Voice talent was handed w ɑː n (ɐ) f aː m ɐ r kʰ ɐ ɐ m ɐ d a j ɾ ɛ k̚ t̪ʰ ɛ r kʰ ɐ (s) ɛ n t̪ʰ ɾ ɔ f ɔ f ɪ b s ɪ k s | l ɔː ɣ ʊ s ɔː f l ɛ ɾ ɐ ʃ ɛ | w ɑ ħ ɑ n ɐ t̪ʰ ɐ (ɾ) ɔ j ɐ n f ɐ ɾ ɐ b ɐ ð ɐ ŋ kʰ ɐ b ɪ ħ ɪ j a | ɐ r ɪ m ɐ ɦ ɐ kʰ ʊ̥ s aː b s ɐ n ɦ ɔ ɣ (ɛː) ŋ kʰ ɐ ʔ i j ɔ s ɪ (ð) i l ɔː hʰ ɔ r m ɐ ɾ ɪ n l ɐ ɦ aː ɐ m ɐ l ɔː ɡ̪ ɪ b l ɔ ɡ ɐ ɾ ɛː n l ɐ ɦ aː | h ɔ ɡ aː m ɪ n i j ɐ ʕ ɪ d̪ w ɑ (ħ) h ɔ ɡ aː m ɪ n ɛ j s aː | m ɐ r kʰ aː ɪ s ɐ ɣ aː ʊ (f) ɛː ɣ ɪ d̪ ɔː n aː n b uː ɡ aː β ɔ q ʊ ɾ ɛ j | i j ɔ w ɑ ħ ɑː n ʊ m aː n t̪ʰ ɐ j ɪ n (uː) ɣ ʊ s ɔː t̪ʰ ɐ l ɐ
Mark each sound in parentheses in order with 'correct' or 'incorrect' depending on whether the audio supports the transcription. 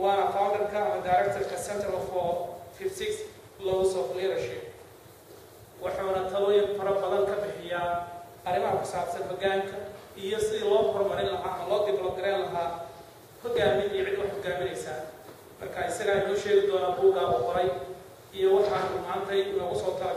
correct, correct, incorrect: l, incorrect: aː, correct, correct, incorrect: ʃ, incorrect: ɔː

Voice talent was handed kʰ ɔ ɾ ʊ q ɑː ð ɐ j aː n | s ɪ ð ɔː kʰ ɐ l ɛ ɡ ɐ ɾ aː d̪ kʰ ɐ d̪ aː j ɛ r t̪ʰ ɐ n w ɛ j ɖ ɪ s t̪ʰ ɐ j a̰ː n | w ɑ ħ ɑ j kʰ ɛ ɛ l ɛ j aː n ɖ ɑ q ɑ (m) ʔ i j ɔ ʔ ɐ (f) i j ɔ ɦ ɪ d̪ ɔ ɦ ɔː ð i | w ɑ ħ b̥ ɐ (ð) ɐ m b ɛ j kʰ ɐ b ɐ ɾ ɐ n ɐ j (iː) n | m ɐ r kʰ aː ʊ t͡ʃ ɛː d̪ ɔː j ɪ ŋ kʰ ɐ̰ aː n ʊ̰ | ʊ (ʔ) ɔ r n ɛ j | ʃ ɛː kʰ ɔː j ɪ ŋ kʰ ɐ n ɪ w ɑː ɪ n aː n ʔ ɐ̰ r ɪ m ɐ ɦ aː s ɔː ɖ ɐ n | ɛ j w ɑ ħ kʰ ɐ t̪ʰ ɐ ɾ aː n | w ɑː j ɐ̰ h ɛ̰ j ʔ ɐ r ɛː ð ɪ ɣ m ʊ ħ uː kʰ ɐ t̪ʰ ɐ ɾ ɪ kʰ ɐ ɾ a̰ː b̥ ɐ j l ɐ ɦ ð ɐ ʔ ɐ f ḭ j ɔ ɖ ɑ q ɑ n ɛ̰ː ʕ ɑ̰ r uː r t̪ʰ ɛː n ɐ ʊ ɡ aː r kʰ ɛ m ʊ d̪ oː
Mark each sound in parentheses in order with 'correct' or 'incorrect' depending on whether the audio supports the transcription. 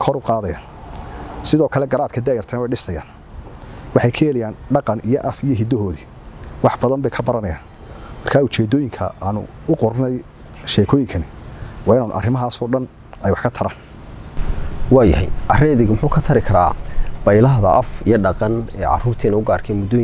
incorrect: n, correct, correct, incorrect: aː, incorrect: q

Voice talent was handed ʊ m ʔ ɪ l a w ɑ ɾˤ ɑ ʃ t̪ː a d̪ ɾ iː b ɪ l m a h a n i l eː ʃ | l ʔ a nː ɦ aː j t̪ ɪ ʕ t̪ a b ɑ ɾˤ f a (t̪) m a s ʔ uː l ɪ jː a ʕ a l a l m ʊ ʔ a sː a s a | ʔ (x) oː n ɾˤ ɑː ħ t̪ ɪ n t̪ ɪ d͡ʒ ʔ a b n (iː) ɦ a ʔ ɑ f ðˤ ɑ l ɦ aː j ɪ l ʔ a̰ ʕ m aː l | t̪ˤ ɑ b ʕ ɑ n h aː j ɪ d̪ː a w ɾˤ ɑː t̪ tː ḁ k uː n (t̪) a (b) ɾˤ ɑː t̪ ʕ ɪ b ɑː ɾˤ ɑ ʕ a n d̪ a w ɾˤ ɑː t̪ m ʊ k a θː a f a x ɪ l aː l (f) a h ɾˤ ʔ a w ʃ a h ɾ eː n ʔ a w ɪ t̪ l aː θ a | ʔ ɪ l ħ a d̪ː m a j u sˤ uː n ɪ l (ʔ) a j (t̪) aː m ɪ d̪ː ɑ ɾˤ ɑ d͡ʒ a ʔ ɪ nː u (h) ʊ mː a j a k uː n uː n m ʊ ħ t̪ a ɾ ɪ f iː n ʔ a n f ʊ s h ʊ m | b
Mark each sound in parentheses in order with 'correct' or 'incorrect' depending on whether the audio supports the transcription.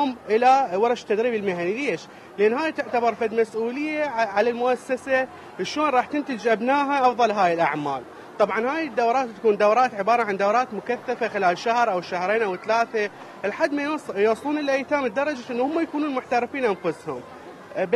incorrect: d̪, incorrect: ʃ, incorrect: aː, incorrect: d̪, incorrect: w, incorrect: ʃ, correct, correct, correct

